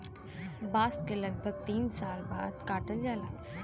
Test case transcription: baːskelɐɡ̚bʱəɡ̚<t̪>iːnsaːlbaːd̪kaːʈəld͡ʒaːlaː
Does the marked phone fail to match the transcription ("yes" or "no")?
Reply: no